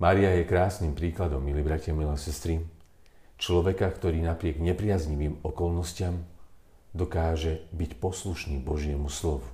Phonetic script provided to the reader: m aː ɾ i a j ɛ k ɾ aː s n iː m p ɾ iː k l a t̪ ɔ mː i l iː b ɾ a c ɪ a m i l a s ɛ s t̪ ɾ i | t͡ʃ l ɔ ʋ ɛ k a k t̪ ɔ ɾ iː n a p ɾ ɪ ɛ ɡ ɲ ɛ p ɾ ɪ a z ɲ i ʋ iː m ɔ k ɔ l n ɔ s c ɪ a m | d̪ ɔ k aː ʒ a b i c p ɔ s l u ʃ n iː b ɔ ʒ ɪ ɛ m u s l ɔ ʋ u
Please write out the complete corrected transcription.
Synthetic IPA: m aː ɾ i a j ɛ k ɾ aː s n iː m p ɾ iː k l a d̪ ɔ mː i l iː b ɾ a c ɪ a m i l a s ɛ s t̪ ɾ i | t͡ʃ l ɔ ʋ ɛ k a k t̪ ɔ ɾ iː n a p ɾ ɪ ɛ ɡ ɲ ɛ p ɾ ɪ a z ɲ i ʋ iː m ɔ k ɔ l n ɔ s c ɪ a m | d̪ ɔ k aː ʒ ɛ b i c p ɔ s l u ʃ n iː b ɔ ʒ ɪ ɛ m u s l ɔ ʋ u